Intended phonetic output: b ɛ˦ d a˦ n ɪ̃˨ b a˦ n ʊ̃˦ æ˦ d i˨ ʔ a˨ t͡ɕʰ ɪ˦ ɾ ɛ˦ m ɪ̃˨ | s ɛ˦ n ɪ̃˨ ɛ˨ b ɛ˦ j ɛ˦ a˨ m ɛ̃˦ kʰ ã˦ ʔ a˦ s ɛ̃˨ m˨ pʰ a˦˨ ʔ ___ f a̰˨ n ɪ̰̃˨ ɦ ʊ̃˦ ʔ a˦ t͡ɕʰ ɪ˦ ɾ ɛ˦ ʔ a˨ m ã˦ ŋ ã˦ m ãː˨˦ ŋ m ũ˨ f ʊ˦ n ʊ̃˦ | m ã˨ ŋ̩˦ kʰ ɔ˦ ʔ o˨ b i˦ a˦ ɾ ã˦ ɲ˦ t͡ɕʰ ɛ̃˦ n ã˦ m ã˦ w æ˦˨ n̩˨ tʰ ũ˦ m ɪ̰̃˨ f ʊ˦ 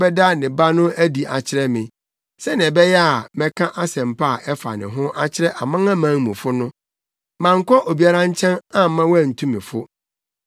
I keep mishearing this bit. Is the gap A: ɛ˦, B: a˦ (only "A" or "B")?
A